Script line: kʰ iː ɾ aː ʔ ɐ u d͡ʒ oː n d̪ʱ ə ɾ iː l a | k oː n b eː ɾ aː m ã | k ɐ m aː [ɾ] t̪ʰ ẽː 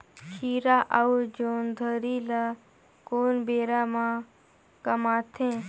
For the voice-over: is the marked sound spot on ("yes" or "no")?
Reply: no